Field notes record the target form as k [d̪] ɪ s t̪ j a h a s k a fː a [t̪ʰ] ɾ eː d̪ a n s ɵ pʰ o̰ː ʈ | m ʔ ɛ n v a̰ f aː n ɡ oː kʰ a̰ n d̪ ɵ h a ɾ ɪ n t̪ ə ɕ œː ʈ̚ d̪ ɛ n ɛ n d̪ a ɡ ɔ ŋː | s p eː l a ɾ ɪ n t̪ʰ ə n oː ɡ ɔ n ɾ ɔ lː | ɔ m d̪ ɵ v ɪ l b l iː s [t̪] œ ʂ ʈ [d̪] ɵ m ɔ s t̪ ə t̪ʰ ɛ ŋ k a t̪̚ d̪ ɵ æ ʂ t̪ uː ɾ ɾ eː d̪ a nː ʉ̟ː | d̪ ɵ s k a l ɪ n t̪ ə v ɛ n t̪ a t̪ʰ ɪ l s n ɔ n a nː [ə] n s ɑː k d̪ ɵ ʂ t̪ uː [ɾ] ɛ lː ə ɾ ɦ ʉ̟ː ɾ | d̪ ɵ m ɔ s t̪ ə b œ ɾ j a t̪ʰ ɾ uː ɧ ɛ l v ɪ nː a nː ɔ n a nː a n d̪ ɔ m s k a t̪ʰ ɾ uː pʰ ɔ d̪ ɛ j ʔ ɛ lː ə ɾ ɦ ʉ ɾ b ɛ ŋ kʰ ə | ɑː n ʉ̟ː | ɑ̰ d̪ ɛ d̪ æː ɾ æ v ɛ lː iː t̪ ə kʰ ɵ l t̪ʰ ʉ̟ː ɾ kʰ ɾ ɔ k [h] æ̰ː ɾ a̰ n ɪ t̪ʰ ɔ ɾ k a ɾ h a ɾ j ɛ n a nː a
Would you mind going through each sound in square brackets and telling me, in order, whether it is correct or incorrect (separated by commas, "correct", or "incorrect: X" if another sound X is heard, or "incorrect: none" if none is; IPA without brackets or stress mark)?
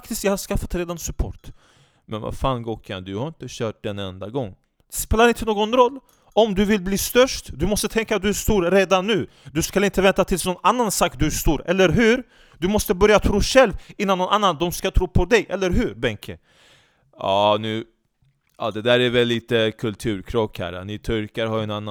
incorrect: t̪, incorrect: t̪, correct, correct, incorrect: a, correct, correct